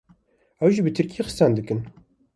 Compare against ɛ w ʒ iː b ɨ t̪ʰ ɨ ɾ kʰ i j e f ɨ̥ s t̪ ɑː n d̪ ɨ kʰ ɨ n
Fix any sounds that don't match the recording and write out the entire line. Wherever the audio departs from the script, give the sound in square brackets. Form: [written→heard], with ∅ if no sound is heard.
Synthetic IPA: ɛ w ʒ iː b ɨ t̪ʰ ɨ ɾ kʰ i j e [f→x] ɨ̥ s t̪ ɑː n d̪ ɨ [kʰ→k] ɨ n